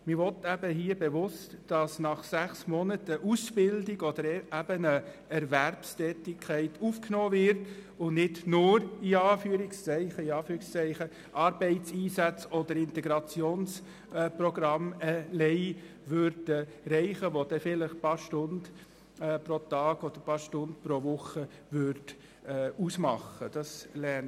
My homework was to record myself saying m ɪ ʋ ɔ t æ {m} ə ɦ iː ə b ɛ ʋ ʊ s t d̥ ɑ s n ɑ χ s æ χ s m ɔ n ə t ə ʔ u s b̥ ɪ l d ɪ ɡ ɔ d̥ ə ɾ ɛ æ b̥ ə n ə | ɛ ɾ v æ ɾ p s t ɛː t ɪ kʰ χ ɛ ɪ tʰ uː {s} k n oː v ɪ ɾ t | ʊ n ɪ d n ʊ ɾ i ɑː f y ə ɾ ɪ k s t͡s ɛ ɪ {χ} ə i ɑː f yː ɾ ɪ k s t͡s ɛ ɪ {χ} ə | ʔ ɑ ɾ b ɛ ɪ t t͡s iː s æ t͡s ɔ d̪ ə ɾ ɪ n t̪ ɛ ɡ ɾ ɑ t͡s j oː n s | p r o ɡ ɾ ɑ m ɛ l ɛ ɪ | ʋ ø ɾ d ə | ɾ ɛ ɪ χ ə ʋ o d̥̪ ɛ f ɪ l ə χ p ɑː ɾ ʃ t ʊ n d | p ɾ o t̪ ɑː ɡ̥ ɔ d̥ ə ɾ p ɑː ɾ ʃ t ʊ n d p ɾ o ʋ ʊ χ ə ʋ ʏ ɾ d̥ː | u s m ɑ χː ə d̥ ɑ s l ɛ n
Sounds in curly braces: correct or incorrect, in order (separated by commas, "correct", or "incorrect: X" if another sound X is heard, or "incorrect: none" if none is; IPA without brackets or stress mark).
incorrect: b, incorrect: f, correct, correct